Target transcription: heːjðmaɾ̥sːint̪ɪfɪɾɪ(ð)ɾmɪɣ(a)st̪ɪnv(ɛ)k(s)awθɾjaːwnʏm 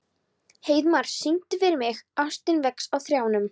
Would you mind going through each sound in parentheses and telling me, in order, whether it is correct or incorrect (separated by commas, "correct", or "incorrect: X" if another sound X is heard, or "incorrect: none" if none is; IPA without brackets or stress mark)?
incorrect: none, correct, correct, correct